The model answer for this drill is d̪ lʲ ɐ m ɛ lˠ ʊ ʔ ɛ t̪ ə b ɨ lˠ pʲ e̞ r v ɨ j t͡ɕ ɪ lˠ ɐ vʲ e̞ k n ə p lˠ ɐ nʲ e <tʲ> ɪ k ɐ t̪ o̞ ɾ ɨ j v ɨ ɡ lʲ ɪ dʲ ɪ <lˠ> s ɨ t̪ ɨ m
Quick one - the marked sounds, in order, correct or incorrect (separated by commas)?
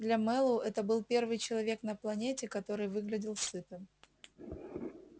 correct, correct